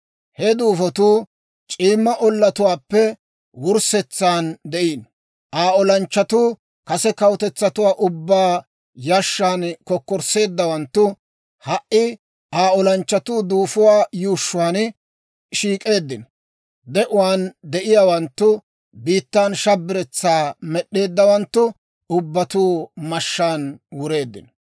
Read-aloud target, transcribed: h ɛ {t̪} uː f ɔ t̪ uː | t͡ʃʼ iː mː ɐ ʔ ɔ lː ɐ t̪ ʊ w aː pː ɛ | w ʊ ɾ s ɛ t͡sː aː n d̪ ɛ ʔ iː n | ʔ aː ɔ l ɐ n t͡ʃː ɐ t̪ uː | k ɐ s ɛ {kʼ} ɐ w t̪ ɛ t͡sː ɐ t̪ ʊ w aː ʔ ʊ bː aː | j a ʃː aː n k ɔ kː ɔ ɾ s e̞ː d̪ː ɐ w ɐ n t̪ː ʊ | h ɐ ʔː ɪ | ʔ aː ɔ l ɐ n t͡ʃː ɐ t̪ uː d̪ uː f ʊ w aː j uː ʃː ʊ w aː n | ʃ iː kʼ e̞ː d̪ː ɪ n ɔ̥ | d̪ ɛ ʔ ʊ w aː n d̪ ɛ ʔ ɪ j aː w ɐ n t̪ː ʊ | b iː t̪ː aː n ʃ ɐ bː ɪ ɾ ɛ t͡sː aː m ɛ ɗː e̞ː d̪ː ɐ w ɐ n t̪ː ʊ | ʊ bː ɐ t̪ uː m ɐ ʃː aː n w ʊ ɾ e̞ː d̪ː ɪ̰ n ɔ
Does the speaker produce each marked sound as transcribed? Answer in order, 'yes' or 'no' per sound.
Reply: no, no

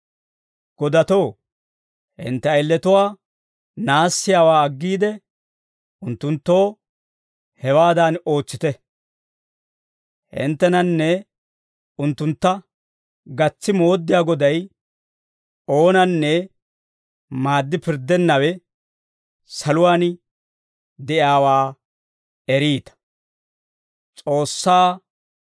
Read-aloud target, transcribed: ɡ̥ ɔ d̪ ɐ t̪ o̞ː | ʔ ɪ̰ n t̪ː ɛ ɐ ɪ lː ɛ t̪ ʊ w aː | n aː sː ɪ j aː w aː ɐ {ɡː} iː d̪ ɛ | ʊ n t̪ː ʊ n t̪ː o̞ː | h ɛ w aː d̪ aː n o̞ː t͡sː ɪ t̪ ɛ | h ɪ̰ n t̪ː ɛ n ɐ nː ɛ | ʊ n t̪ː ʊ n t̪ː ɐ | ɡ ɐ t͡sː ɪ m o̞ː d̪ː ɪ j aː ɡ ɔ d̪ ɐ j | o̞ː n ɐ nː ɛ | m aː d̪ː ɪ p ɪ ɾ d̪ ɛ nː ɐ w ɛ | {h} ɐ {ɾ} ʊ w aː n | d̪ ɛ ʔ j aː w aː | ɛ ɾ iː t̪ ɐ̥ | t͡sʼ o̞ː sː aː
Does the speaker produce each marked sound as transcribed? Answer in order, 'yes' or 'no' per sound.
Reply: yes, no, no

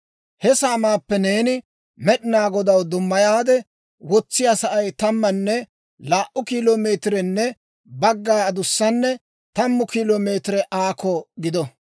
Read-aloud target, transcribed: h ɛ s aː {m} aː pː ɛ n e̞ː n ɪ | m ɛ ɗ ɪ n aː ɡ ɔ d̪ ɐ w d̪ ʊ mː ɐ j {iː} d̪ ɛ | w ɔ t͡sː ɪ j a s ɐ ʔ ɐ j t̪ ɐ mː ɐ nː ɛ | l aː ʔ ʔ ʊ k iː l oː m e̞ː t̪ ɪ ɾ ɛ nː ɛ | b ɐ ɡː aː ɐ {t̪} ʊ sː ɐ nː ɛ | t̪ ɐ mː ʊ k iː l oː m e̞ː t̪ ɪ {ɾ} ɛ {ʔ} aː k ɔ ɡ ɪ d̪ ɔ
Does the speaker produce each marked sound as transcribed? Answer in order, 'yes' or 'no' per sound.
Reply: yes, no, no, yes, yes

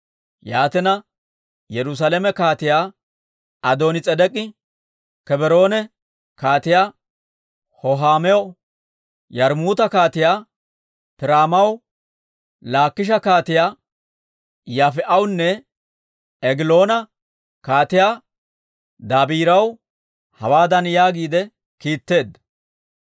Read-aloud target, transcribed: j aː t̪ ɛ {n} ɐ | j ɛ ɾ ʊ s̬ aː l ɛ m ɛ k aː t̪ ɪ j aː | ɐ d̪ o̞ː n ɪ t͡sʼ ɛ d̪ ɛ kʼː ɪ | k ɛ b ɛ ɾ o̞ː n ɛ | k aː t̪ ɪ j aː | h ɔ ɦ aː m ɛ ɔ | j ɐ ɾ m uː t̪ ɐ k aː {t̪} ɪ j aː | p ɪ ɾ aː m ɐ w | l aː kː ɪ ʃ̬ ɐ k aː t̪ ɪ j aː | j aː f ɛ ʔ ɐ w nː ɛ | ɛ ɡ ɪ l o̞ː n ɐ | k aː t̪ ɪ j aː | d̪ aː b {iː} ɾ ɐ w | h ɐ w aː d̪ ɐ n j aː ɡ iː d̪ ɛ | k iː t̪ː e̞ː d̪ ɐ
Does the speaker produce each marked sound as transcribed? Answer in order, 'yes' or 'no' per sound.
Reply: yes, yes, yes

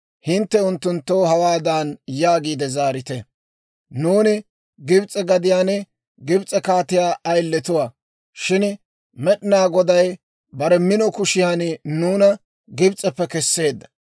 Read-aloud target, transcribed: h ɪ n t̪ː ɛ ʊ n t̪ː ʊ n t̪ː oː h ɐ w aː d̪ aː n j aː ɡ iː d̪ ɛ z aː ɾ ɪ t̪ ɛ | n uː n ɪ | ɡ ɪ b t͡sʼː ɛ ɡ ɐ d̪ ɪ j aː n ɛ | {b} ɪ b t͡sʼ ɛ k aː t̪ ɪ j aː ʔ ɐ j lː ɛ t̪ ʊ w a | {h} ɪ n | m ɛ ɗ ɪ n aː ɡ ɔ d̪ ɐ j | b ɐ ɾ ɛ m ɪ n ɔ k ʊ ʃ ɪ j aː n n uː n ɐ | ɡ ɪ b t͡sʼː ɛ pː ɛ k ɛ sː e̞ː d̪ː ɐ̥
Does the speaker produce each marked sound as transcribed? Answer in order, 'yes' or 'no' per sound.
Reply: no, no

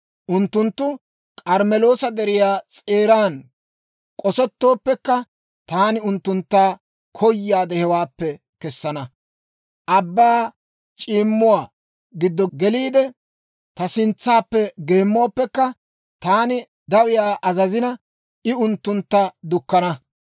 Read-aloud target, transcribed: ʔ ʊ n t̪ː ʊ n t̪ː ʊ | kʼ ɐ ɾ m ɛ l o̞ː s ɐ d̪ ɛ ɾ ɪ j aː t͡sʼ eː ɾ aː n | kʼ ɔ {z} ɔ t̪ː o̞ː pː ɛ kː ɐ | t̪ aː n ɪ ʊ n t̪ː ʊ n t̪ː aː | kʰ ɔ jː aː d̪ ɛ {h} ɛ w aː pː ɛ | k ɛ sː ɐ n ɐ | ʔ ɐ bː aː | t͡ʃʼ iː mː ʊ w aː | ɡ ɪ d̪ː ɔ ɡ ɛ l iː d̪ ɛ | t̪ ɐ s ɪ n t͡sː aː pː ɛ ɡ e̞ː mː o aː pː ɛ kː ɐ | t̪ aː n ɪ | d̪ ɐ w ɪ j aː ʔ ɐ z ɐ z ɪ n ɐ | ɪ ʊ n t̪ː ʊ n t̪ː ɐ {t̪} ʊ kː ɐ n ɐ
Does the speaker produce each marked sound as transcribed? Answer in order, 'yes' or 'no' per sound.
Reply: no, yes, no

